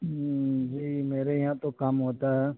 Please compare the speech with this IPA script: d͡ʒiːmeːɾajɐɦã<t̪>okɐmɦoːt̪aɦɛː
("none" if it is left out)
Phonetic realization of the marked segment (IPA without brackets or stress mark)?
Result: t̪